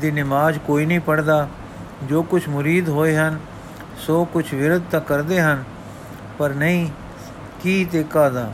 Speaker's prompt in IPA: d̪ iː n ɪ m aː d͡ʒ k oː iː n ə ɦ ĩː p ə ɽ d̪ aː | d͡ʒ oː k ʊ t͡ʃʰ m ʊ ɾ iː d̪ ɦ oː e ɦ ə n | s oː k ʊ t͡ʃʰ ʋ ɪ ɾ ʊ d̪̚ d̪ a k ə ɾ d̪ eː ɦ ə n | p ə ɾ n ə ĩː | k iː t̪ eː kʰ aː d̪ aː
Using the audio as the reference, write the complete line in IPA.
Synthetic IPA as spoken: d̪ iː n ɪ m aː d͡ʒ k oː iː n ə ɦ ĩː p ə ɽ d̪ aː | d͡ʒ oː k ʊ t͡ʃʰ m ʊ ɾ iː d̪ ɦ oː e ɦ ə n | s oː k ʊ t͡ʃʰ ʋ ɪ ɾ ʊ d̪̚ t̪ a k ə ɾ d̪ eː ɦ ə n | p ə ɾ n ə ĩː | k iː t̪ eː k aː d̪ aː